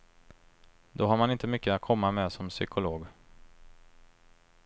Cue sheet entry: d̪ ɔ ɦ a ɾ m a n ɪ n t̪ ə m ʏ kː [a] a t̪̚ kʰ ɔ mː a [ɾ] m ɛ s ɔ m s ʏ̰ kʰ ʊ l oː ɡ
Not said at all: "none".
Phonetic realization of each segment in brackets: ə, none

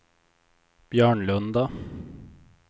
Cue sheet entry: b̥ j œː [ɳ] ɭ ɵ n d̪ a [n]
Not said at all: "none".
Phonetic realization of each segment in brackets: ɳ, none

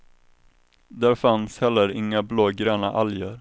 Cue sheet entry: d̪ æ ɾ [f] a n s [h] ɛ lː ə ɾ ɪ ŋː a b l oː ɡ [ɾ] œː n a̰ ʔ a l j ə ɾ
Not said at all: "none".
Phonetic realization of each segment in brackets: f, h, ɾ

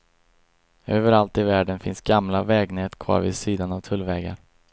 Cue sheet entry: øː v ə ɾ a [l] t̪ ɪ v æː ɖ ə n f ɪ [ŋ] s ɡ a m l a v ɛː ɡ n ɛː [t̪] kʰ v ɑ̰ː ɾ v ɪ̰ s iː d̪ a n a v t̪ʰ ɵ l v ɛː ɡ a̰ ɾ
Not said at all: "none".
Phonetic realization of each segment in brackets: l, n, t̪

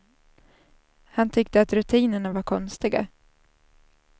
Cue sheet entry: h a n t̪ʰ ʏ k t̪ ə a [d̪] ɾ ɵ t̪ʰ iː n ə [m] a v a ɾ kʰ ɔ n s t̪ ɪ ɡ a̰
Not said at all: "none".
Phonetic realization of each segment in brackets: t̪, ɳ

